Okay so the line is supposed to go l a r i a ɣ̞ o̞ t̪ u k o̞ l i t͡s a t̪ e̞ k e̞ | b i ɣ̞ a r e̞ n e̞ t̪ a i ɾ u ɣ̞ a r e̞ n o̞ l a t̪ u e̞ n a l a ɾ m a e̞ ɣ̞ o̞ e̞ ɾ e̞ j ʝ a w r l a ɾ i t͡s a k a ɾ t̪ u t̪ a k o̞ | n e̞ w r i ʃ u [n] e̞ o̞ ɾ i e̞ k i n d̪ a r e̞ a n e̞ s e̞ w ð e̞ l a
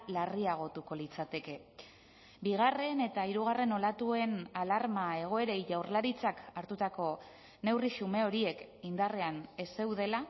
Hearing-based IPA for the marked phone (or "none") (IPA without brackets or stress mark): m